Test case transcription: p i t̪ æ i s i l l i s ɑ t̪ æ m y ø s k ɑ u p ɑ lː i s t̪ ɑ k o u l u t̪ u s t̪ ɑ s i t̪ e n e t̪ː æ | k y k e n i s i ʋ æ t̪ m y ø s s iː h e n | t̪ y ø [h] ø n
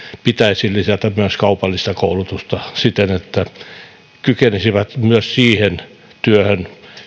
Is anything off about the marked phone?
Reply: no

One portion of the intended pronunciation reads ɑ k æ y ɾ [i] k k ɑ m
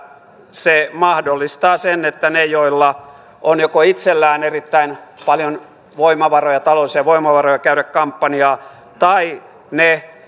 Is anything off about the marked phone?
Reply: yes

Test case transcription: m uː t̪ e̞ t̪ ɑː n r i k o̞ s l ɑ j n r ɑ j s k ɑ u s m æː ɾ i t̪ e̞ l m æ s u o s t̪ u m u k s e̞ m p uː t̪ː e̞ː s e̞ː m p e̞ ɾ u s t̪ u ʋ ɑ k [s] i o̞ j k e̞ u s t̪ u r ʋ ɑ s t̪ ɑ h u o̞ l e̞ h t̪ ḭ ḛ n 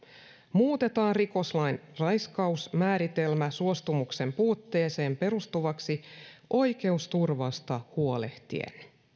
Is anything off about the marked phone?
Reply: no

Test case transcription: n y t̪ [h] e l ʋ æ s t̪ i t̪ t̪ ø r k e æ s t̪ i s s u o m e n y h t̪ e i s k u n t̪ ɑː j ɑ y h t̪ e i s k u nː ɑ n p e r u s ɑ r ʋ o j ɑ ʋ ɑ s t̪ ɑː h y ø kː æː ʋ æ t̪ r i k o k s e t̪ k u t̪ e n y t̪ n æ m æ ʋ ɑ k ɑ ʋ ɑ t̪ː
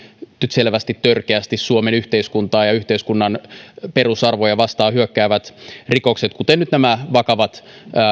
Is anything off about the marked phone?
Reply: yes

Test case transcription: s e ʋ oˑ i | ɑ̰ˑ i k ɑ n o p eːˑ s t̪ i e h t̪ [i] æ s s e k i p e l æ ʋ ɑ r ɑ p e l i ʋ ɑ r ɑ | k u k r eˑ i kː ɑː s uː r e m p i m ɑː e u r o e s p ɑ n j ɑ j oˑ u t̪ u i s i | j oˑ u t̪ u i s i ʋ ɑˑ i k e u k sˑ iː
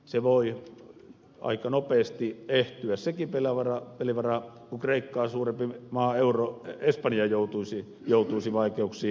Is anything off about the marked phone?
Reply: yes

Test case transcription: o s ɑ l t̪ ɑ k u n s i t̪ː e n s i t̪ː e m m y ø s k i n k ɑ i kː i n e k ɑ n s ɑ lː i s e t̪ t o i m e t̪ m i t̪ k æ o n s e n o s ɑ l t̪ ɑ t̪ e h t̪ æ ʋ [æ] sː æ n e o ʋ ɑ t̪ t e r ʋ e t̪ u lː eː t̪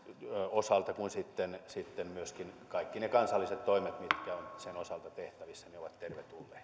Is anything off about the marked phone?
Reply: yes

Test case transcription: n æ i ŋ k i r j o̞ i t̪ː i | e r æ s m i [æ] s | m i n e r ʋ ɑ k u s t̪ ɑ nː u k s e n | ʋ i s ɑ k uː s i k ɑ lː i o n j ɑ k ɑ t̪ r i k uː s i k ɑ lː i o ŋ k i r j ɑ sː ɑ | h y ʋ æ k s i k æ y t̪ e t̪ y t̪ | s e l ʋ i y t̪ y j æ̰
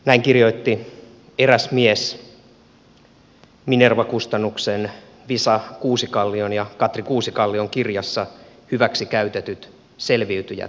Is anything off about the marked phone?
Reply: yes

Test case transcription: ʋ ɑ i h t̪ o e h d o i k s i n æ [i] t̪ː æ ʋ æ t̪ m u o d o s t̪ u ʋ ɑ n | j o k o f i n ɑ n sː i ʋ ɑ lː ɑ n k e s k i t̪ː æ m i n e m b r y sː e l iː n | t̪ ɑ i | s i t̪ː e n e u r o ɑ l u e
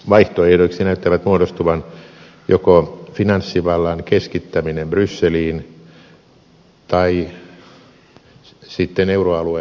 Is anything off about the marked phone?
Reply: yes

